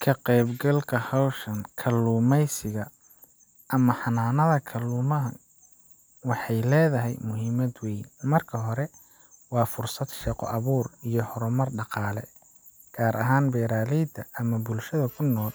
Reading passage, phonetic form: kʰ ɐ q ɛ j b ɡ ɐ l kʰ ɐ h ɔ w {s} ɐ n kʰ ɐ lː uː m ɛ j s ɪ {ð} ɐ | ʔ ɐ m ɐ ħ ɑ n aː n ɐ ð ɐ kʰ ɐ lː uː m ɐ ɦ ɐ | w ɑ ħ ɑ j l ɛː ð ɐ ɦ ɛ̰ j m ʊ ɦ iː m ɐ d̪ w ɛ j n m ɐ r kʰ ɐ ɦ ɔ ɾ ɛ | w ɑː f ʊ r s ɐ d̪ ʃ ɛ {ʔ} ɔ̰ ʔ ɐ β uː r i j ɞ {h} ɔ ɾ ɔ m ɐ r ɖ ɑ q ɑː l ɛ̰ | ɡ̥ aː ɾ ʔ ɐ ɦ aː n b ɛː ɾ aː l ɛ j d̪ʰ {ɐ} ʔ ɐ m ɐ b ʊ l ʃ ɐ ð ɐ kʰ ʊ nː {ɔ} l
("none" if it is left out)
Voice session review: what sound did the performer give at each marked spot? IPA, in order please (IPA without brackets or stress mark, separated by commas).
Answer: ʃ, ɣ, q, h, ɐ, ɔː